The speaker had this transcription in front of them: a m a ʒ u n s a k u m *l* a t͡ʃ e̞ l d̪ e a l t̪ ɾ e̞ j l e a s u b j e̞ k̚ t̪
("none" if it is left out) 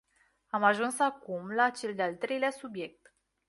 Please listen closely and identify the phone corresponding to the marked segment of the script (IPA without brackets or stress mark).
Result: l